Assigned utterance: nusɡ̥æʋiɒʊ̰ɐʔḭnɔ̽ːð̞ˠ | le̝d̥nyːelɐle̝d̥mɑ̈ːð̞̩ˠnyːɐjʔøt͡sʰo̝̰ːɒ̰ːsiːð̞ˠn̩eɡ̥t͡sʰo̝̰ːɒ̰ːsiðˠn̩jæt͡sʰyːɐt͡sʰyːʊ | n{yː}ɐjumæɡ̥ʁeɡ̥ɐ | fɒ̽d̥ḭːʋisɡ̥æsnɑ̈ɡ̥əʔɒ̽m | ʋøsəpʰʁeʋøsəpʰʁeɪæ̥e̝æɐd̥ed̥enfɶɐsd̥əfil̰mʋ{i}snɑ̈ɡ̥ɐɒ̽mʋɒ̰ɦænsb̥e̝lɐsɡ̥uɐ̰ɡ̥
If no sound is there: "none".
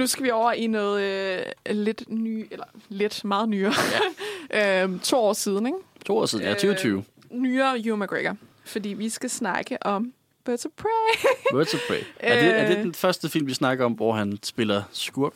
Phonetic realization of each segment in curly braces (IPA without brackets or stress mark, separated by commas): yː, i